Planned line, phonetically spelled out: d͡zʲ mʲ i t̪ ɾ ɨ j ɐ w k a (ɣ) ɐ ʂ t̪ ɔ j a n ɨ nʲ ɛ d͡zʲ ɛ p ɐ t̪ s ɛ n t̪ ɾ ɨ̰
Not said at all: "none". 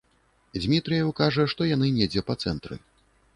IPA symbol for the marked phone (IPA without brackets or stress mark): ʐ